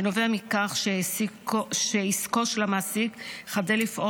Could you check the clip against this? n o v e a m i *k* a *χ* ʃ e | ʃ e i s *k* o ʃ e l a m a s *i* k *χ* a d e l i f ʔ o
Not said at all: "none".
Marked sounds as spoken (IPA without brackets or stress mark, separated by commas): k, χ, k, i, χ